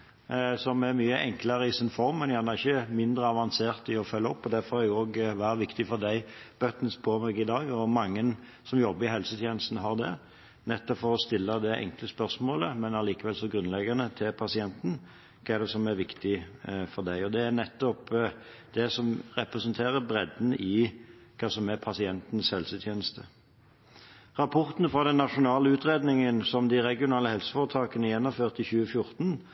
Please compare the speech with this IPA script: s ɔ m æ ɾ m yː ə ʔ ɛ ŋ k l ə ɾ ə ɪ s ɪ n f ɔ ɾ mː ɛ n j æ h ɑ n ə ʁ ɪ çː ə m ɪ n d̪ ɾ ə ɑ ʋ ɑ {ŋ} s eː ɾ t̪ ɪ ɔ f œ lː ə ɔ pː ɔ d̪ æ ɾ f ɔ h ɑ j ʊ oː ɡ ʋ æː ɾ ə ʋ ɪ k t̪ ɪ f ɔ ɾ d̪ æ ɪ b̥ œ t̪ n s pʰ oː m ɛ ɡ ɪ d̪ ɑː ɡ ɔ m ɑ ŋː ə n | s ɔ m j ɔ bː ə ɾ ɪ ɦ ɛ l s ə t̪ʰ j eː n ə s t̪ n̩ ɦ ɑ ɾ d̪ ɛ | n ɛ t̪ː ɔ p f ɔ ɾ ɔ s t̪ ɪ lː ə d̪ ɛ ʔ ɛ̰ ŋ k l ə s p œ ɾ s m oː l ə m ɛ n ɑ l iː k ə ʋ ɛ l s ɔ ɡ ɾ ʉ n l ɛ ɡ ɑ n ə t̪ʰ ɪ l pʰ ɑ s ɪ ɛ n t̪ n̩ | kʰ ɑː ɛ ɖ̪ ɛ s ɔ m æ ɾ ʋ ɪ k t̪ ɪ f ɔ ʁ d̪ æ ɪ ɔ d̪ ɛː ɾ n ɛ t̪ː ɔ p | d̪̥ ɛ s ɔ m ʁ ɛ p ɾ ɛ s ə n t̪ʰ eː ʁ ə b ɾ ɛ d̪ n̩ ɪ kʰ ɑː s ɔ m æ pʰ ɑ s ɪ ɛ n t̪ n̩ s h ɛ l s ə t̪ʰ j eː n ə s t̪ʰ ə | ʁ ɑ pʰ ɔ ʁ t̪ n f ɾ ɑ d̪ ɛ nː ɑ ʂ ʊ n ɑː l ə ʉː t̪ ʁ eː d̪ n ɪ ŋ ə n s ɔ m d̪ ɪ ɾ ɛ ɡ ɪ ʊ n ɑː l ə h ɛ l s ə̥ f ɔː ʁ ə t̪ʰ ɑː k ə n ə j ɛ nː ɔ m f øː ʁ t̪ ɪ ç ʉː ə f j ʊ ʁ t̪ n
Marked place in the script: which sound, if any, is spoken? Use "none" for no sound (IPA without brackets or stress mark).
n